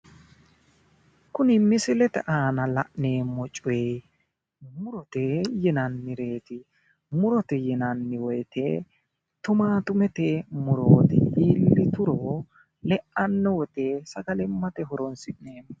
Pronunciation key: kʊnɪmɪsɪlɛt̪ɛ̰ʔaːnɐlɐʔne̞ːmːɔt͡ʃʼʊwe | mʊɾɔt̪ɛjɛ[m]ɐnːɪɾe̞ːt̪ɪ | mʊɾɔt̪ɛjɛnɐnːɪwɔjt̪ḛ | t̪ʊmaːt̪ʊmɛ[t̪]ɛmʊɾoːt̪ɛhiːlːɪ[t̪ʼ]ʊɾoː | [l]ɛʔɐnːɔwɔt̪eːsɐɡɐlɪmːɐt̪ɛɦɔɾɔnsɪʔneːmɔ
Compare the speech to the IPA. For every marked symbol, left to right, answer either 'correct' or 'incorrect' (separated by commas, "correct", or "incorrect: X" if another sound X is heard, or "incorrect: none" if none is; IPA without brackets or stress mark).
incorrect: n, correct, incorrect: t̪, correct